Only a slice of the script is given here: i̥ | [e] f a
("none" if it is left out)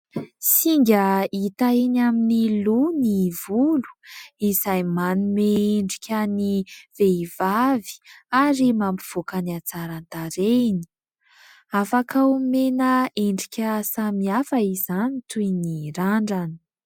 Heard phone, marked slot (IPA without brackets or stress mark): a